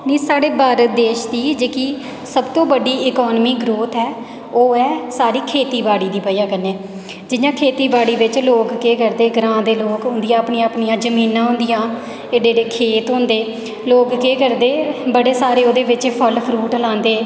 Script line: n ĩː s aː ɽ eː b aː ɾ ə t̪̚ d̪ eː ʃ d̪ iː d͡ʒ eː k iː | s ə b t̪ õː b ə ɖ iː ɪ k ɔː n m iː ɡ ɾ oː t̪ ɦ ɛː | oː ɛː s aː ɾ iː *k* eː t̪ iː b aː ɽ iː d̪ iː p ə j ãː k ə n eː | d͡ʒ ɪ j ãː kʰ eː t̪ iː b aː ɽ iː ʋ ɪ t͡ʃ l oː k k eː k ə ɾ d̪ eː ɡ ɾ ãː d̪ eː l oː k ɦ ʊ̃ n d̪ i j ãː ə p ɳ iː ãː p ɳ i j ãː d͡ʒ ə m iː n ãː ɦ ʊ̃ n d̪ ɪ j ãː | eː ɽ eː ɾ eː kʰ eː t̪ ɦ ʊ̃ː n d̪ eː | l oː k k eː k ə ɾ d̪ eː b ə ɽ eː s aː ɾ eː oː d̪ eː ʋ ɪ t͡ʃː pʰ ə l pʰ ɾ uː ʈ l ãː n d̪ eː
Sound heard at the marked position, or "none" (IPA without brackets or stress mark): kʰ